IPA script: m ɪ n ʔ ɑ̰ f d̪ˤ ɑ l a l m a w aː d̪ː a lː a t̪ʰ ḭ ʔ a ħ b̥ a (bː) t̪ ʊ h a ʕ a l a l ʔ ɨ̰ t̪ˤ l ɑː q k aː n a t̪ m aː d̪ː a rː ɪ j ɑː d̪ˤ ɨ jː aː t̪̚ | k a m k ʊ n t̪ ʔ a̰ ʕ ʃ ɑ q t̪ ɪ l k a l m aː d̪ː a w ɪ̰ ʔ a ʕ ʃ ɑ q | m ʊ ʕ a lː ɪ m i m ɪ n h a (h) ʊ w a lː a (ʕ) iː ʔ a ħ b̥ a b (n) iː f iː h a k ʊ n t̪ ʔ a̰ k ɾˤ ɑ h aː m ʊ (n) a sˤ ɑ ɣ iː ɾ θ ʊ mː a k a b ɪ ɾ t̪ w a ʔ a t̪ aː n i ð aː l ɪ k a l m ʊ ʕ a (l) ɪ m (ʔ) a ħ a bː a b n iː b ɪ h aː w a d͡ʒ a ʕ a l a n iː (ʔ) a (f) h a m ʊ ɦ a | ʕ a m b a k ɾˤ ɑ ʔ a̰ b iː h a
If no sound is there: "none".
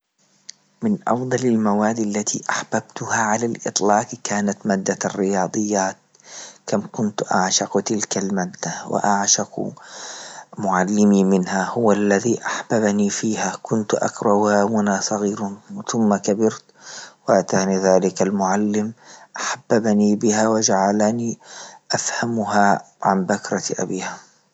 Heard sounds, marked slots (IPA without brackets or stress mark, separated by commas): b, h, ð, n, n, lː, ʔ, ʔ, f